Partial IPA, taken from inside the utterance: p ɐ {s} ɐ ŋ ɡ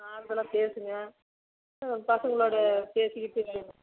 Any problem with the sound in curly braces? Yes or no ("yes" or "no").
no